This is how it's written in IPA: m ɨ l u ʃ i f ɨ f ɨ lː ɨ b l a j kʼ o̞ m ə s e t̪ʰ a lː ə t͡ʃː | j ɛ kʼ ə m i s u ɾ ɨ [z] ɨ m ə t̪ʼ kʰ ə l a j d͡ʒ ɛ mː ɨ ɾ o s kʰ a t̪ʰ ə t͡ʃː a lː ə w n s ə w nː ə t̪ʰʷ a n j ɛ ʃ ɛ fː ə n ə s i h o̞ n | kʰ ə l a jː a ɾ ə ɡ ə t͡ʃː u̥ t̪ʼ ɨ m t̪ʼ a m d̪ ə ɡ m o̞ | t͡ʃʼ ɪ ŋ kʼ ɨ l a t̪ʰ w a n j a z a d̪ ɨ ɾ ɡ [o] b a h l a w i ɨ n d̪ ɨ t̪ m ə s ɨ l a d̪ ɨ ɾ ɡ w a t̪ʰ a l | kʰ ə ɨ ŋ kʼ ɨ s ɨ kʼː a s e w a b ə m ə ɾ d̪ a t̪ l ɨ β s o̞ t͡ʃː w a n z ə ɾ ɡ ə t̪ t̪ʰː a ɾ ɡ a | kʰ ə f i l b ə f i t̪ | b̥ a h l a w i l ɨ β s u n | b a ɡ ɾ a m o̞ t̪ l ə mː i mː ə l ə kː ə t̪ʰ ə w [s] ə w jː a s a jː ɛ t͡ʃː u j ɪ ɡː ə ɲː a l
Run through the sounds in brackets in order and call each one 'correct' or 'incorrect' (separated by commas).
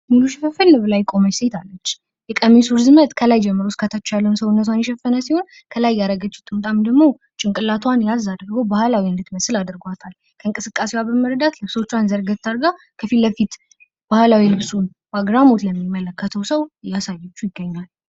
correct, correct, correct